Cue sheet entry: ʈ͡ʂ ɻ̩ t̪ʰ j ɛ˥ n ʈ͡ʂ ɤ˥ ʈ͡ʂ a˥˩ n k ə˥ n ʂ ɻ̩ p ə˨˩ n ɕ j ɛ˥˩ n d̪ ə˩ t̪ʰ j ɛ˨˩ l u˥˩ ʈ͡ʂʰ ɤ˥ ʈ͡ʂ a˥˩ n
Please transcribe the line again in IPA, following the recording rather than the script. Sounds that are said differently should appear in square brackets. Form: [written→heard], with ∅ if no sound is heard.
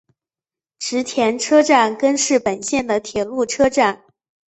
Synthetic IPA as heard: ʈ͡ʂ ɻ̩ t̪ʰ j [ɛ˥→ɛ˧˥] n [ʈ͡ʂ→ʈ͡ʂʰ] ɤ˥ ʈ͡ʂ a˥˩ n k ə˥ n ʂ ɻ̩ p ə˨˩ n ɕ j ɛ˥˩ n d̪ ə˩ t̪ʰ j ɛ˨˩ l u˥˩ ʈ͡ʂʰ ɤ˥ ʈ͡ʂ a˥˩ n